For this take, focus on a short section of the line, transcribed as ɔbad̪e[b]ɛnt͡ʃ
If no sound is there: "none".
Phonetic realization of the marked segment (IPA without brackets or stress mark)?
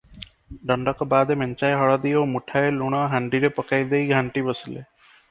m